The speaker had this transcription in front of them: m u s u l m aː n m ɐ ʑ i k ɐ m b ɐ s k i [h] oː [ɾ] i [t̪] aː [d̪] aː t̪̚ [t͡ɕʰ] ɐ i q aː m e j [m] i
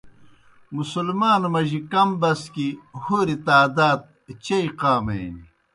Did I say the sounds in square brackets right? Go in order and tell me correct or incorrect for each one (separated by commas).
correct, correct, correct, correct, incorrect, incorrect